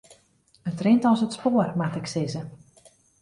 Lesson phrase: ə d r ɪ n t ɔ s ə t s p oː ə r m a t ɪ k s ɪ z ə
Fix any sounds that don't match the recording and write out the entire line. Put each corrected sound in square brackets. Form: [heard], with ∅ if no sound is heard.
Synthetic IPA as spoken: ə [t] r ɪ n t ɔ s ə t s p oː ə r m a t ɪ k s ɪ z ə

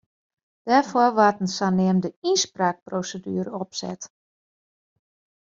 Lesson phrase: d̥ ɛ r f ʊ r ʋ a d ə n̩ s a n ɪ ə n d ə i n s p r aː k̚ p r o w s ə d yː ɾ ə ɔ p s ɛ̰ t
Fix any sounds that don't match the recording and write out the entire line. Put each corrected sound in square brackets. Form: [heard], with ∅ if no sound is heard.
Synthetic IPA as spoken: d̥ ɛ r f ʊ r ʋ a [t] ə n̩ s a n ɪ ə [m] d ə i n s p r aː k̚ p r o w s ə d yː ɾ ə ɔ p s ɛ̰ t

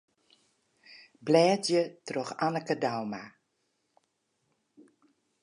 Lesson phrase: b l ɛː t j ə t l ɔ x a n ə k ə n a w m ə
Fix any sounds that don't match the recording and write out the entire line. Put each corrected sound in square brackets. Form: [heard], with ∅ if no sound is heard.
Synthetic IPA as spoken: b l ɛː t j ə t [r] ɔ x a n ə k ə [d] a w m [a]

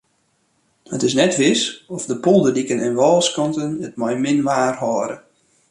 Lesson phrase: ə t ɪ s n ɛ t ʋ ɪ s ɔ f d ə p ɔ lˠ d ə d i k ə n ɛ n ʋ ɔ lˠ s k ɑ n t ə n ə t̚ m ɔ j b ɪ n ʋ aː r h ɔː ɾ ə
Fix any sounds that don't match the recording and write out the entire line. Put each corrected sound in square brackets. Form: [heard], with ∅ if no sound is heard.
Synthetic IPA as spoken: ə t ɪ s n ɛ t ʋ ɪ s ɔ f d ə p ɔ lˠ d ə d i k ə n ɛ n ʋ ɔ lˠ s k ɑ n t ə n ə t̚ m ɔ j [m] ɪ n ʋ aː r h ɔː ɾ ə

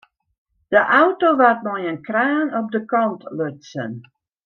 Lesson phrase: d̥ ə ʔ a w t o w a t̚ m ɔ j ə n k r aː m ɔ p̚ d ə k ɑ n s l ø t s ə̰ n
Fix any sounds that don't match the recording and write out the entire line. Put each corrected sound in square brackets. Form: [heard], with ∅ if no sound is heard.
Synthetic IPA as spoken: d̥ ə ʔ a w t o [ʋ] a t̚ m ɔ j ə n k r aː [n] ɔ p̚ d ə k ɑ n [t] l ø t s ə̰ n

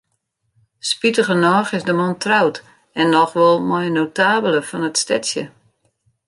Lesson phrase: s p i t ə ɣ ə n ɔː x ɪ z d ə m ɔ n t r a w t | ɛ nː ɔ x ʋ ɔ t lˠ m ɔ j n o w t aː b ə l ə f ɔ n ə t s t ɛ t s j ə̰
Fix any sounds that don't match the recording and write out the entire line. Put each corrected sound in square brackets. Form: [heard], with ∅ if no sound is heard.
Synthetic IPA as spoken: s p i t ə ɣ ə n ɔː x ɪ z d ə m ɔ n t r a w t | ɛ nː ɔ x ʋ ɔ [∅] lˠ m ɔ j n o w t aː b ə l ə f ɔ n ə t s t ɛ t s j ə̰

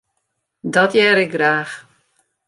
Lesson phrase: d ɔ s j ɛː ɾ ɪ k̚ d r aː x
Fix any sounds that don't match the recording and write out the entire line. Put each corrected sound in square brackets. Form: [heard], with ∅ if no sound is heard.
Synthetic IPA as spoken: d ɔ [t] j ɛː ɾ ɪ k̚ [ɡ] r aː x

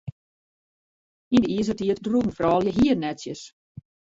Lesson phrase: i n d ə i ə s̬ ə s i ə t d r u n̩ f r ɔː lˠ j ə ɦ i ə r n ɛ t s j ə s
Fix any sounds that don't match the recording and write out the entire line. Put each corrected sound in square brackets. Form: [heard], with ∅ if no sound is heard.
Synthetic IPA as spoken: i n d ə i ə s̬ ə [t] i ə t d r u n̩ f r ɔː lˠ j ə ɦ i ə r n ɛ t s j ə s

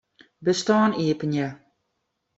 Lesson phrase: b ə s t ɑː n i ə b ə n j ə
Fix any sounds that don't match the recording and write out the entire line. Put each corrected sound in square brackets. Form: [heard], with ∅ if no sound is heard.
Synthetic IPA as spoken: b ə s t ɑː n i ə [p] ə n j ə

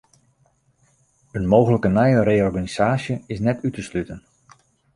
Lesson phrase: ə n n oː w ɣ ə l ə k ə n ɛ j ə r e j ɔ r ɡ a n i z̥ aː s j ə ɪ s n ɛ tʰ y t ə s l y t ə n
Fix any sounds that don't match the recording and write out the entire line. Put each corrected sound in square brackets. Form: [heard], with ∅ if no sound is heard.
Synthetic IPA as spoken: ə n [m] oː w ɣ ə l ə k ə n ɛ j ə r e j ɔ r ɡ a n i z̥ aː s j ə ɪ s n ɛ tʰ y t ə s l y t ə n

